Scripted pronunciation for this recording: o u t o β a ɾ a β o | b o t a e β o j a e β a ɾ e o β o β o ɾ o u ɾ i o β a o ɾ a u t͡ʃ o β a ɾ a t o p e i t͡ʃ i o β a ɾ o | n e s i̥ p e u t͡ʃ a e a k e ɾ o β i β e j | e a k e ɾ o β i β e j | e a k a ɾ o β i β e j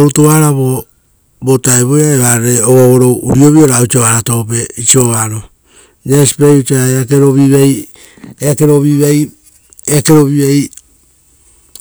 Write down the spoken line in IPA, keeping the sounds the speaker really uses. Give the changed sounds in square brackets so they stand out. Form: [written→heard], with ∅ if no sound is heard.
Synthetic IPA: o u t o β a ɾ a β o | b o t a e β o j a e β a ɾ e o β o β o ɾ o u ɾ i o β [a→i] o ɾ a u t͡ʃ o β a ɾ a t o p e i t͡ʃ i o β a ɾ o | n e s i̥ p e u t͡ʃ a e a k e ɾ o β i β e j | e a k e ɾ o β i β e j | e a k [a→e] ɾ o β i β e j